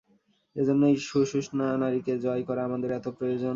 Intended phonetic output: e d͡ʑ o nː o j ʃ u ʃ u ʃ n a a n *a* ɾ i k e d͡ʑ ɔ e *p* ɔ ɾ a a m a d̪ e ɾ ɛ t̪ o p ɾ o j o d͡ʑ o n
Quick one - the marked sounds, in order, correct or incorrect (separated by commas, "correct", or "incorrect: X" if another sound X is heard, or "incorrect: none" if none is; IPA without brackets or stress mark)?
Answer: correct, incorrect: k